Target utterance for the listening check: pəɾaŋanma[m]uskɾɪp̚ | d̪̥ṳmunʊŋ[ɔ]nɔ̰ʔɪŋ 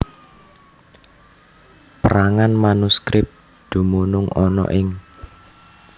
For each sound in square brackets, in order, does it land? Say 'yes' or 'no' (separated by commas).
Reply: no, yes